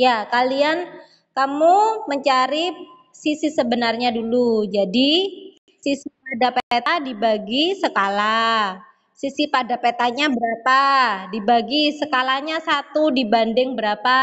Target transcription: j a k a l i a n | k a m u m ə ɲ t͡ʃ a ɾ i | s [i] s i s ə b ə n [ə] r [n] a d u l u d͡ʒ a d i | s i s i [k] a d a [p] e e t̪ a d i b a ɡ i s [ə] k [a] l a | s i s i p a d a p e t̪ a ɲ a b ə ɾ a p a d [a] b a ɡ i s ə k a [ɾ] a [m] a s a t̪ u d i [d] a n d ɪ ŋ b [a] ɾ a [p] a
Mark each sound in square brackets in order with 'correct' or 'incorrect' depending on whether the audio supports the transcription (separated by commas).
correct, incorrect, incorrect, incorrect, correct, correct, correct, incorrect, incorrect, incorrect, incorrect, incorrect, correct